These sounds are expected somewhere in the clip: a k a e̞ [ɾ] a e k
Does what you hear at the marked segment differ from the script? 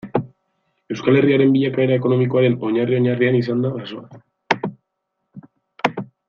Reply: no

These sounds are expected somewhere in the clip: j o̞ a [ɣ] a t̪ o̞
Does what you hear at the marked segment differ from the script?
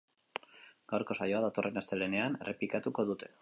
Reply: yes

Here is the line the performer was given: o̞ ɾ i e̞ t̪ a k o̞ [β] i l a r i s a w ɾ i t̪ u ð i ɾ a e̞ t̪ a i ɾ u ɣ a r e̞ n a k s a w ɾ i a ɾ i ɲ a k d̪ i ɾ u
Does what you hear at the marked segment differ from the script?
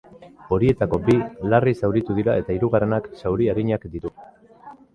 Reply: yes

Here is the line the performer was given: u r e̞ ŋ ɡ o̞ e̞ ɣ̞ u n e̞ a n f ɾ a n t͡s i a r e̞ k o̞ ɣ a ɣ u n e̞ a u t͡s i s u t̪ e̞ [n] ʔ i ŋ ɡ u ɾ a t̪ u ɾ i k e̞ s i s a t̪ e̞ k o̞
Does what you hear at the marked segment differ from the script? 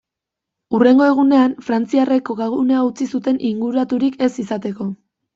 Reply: no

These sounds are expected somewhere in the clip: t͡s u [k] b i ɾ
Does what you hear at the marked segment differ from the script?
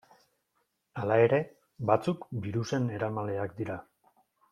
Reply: no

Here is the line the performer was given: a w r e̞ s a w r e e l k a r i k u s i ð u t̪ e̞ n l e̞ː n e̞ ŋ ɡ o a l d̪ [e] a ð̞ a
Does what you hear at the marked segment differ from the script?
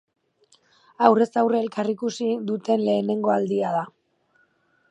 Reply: yes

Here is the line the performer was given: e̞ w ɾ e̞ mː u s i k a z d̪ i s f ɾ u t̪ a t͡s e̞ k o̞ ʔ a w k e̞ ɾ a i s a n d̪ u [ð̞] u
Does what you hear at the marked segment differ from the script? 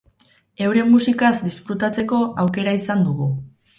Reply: yes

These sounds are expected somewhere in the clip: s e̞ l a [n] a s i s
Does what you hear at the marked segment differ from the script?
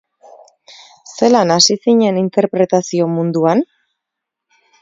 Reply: no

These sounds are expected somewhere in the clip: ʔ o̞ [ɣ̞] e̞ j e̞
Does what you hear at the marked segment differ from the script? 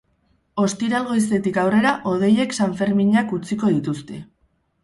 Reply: yes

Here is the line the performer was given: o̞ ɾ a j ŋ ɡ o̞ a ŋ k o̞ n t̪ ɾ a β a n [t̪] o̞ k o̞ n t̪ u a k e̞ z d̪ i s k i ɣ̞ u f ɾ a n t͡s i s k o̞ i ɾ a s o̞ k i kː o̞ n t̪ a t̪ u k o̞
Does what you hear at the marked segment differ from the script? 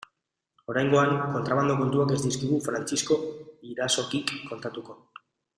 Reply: yes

